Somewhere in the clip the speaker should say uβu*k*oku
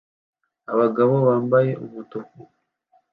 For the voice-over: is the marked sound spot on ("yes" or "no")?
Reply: no